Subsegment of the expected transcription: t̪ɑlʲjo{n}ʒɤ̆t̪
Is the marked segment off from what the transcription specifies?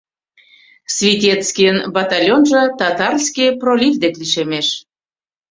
no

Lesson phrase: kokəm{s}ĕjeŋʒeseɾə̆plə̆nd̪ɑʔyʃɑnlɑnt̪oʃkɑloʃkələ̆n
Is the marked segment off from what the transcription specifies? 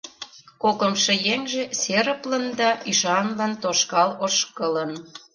yes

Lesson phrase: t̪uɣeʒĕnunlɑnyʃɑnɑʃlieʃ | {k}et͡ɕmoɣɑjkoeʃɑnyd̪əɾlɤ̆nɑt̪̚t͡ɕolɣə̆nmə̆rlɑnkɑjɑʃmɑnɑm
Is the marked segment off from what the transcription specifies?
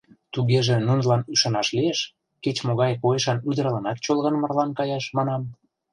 no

